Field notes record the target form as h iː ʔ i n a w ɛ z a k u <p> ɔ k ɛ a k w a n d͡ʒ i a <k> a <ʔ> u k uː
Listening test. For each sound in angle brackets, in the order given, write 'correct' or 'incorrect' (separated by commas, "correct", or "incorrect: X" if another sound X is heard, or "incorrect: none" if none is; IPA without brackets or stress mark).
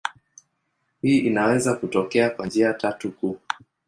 incorrect: t, incorrect: t, incorrect: t